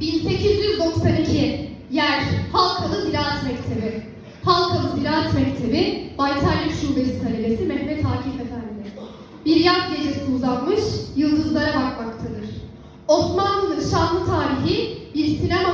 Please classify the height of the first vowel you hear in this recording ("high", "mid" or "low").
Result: high